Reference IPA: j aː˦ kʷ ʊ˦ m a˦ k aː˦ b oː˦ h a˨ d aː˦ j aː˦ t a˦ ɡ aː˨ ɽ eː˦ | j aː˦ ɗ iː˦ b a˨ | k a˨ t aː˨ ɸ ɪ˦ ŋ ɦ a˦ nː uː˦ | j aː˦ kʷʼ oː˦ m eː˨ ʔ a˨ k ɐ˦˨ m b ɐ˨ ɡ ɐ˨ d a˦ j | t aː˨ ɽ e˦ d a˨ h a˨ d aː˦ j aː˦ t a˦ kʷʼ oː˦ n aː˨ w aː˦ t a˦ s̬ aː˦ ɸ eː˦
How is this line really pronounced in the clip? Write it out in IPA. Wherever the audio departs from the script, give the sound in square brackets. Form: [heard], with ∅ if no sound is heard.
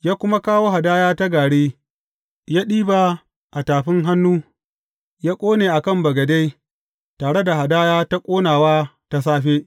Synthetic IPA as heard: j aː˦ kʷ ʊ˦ m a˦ k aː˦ [w] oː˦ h a˨ d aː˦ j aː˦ t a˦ ɡ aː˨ ɽ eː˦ | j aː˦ ɗ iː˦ b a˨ | [ʔ] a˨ t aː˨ ɸ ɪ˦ ŋ ɦ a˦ nː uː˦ | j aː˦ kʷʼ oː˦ [n] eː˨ ʔ a˨ k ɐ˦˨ m b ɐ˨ ɡ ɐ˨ d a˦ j | t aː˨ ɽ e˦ d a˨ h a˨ d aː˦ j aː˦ t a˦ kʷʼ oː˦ n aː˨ w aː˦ t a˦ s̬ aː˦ ɸ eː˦